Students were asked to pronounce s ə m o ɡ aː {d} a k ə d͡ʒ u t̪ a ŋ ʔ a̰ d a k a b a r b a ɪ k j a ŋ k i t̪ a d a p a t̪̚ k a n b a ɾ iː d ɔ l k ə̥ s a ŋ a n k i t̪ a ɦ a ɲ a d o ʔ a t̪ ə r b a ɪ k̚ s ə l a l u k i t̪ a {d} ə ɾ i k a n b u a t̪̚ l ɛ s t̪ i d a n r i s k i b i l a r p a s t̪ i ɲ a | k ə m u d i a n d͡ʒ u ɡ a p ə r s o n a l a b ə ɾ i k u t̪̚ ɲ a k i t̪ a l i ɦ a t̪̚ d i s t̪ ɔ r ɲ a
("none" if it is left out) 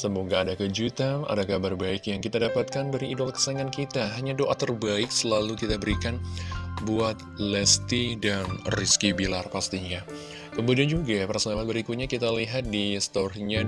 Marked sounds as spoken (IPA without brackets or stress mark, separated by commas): d, b